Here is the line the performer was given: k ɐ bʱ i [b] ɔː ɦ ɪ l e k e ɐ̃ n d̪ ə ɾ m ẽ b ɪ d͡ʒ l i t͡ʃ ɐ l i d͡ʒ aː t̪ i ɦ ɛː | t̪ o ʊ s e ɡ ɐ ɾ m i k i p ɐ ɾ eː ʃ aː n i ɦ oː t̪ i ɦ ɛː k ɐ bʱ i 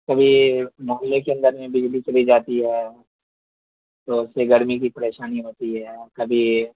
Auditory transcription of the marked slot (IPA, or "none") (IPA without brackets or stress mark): m